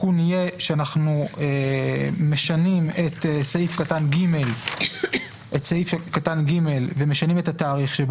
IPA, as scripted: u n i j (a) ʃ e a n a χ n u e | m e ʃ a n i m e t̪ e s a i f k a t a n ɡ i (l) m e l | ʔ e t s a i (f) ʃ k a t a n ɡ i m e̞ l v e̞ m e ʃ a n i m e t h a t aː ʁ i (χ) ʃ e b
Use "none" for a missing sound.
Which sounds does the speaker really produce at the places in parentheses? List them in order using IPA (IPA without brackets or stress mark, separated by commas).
e, none, f, χ